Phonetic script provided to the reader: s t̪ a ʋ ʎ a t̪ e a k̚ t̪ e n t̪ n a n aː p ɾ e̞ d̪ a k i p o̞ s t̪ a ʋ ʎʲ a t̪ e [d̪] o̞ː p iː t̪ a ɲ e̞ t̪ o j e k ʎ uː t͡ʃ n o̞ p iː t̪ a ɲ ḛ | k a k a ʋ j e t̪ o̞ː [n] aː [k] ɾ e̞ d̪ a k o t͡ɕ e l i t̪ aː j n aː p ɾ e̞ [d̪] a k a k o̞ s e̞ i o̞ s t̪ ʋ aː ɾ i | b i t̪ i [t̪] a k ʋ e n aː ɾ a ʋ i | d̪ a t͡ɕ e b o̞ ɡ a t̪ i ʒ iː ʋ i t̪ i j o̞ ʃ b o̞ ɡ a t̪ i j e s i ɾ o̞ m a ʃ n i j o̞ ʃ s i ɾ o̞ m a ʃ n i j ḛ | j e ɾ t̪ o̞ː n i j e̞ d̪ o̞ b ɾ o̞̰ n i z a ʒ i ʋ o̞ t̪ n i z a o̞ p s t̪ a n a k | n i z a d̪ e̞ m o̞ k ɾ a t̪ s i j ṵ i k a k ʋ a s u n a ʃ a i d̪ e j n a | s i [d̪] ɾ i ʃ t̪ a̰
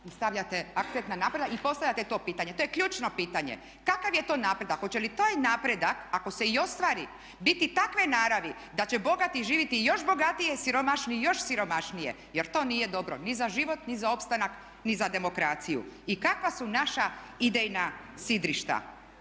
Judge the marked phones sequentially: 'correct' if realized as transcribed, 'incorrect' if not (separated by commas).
incorrect, correct, incorrect, correct, correct, correct